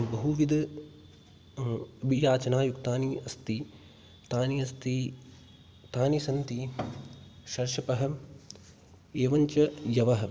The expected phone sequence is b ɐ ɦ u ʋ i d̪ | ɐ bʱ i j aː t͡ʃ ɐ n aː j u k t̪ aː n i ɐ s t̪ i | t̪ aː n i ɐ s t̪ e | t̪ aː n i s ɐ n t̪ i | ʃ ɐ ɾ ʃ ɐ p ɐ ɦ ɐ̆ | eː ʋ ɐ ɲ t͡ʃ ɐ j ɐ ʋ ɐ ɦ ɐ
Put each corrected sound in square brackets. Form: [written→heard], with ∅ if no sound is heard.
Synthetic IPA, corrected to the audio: b ɐ ɦ u ʋ i d̪ | ɐ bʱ i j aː t͡ʃ ɐ n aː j u k t̪ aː n i ɐ s t̪ i | t̪ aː n i ɐ s t̪ [e→i] | t̪ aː n i s ɐ n t̪ i | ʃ ɐ ɾ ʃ ɐ p ɐ ɦ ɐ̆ | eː ʋ ɐ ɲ t͡ʃ ɐ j ɐ ʋ ɐ ɦ ɐ